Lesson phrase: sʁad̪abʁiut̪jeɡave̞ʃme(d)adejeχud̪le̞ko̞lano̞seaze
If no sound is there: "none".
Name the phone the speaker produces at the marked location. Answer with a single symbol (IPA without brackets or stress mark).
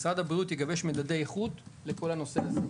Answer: d